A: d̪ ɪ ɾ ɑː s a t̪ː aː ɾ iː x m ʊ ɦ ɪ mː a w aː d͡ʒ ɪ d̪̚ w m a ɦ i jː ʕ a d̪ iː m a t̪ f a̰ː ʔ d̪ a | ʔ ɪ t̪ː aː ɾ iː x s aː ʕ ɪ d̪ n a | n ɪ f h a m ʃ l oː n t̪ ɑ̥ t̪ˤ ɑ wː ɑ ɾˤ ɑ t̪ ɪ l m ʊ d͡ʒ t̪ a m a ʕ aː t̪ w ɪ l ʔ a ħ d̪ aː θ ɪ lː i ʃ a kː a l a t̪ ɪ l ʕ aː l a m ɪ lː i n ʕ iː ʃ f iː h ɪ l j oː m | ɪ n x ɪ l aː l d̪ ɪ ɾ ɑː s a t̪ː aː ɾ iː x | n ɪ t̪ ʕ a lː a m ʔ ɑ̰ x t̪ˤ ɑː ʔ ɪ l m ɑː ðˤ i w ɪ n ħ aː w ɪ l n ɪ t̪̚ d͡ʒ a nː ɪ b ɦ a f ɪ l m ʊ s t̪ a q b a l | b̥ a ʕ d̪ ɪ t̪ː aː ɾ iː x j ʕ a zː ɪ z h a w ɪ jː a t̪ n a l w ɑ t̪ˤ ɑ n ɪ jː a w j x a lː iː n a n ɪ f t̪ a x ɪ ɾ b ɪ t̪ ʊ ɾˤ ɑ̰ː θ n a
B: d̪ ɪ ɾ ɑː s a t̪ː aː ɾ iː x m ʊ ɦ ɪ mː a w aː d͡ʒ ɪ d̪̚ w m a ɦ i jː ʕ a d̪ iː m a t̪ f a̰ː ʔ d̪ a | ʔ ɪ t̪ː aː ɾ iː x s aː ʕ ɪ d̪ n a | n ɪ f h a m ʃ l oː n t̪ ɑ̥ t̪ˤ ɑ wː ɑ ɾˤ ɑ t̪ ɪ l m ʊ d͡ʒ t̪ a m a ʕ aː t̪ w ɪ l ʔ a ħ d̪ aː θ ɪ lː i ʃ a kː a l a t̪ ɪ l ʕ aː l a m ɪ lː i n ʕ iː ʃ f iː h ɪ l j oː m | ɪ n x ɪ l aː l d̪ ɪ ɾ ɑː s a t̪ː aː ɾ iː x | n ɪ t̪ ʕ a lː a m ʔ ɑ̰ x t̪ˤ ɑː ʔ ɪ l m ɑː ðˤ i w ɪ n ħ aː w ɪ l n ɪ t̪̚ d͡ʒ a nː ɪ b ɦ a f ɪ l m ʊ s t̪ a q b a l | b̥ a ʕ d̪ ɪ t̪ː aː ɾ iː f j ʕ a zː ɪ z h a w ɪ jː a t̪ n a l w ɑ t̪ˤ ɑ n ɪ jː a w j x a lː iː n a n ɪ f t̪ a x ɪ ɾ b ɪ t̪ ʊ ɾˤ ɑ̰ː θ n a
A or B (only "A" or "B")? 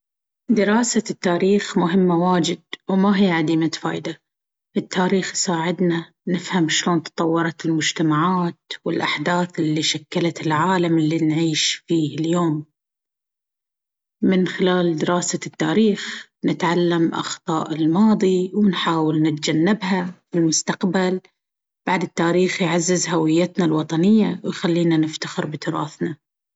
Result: A